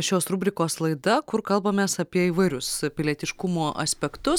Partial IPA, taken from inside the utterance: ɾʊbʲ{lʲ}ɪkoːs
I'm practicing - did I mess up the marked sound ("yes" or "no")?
yes